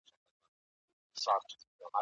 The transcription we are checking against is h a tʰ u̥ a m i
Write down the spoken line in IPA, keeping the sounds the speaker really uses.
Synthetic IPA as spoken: s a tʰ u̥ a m a